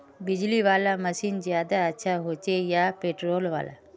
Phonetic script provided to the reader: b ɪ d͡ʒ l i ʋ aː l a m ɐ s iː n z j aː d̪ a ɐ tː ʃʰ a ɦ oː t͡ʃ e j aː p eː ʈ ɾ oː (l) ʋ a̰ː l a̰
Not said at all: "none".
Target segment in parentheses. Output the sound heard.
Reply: l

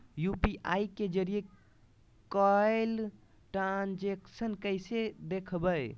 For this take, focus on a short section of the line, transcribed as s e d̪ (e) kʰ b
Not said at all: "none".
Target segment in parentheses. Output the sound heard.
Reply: e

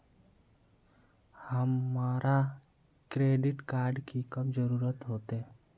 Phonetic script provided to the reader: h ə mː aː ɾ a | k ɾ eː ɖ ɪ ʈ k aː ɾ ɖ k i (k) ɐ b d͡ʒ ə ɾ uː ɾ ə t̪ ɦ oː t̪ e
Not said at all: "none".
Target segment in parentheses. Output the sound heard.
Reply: k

